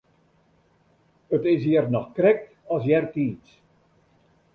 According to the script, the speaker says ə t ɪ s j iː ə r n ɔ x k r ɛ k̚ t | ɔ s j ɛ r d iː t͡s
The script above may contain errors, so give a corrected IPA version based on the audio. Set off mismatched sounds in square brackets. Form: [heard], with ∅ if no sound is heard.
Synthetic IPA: ə t ɪ s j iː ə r n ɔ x k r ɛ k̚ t | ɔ s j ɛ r [t] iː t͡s